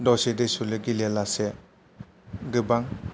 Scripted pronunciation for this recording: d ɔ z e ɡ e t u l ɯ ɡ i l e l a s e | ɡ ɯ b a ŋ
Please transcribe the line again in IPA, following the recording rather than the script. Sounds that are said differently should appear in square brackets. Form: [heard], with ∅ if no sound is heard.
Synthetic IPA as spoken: d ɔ [s] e [d] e [s] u l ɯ ɡ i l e l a s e | ɡ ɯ b a ŋ